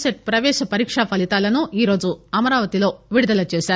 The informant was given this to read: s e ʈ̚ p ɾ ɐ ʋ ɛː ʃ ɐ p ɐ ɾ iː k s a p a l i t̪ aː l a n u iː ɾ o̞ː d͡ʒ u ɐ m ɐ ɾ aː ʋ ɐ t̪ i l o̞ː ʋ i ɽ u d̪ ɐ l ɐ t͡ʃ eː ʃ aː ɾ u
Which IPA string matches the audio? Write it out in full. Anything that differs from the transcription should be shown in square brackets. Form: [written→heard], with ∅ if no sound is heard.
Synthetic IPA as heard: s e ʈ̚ p ɾ ɐ ʋ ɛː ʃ ɐ p ɐ ɾ iː k [s→ʂ] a p [a→ɐ] l i t̪ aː l [a→ɐ] n u iː ɾ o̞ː d͡ʒ u ɐ m ɐ ɾ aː ʋ ɐ t̪ i l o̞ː ʋ i ɽ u d̪ ɐ l ɐ t͡ʃ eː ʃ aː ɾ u